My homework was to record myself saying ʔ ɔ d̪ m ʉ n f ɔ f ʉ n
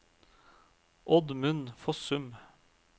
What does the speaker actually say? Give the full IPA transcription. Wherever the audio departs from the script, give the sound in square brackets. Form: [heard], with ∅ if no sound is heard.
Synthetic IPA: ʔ ɔ d̪ m ʉ n f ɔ [s] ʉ [m]